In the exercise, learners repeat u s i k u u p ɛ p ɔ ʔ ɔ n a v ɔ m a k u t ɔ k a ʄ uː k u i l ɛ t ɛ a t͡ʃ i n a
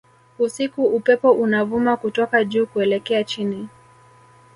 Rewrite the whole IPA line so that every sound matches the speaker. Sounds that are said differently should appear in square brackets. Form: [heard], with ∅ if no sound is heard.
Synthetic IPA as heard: u s i k u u p ɛ p ɔ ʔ [u] n a v [u] m a k u t ɔ k a ʄ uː k u [ɛ] l ɛ [k] ɛ a t͡ʃ i n [i]